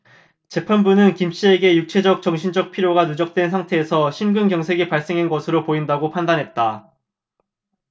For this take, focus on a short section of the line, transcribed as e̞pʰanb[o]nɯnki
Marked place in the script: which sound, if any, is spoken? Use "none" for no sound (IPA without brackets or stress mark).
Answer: u